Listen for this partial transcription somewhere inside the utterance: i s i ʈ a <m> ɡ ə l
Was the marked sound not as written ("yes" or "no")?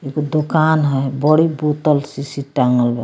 yes